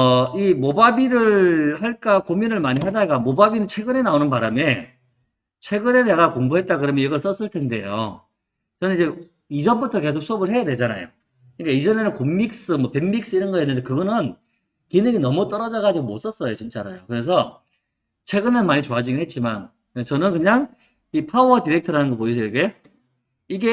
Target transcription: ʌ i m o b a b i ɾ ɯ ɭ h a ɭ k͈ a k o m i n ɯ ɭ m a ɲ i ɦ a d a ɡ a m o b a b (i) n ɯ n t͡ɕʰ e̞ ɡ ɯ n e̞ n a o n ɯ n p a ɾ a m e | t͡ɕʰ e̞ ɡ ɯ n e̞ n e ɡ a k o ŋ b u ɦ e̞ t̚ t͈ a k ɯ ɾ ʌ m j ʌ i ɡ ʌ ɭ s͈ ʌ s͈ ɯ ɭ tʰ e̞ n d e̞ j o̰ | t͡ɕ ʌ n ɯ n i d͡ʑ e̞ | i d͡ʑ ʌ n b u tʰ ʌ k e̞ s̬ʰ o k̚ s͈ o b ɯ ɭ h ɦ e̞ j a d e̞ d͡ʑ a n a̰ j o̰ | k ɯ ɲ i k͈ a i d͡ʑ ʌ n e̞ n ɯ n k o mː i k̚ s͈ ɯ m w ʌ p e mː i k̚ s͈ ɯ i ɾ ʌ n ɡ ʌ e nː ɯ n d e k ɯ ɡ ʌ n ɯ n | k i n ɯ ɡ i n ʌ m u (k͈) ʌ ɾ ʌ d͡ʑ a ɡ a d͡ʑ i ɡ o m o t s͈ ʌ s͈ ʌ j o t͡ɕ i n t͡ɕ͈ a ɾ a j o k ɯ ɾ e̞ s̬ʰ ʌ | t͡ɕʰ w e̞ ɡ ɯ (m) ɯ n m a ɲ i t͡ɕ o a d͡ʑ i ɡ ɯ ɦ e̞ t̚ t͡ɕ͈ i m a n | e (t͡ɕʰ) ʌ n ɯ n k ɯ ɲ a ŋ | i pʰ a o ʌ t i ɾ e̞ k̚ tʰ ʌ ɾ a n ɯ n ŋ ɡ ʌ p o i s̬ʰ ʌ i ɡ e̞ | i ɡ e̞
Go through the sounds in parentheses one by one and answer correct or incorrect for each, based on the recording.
correct, incorrect, incorrect, incorrect

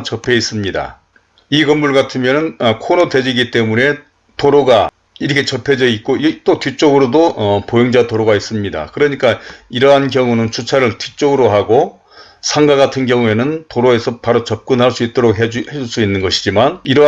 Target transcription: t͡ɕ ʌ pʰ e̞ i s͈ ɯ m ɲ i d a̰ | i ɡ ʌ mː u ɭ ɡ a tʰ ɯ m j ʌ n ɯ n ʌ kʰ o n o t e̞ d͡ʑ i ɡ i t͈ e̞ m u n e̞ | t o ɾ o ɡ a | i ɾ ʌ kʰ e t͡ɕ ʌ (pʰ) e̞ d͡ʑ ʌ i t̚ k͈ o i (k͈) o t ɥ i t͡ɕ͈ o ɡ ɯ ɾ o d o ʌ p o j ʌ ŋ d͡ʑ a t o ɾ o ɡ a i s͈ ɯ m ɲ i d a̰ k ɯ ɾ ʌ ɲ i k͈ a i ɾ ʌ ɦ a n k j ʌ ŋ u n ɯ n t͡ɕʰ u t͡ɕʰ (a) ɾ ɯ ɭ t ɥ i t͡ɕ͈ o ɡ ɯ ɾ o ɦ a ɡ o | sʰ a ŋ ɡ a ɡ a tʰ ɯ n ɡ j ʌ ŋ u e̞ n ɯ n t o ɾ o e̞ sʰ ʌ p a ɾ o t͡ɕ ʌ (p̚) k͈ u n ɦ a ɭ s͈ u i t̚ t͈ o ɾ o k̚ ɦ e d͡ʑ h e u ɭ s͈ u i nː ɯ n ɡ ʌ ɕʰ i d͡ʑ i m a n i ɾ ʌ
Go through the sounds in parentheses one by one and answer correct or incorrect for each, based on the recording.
correct, incorrect, correct, correct

